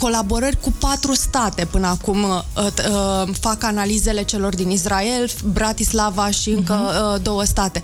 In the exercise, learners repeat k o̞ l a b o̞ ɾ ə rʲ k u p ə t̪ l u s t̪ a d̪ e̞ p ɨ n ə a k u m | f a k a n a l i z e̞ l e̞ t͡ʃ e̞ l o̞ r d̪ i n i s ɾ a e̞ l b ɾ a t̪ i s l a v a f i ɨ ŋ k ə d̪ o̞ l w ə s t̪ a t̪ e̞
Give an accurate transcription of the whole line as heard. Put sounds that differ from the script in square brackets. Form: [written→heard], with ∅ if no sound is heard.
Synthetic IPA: k o̞ l a b o̞ ɾ ə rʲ k u p [ə→a] t̪ [l→ɾ] u s t̪ a [d̪→t̪] e̞ p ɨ n ə a k u m | f a k a n a l i z e̞ l e̞ t͡ʃ e̞ l o̞ r d̪ i n i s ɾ a e̞ l b ɾ a t̪ i s l a v a [f→ʃ] i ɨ ŋ k ə d̪ o̞ [l→∅] w ə s t̪ a t̪ e̞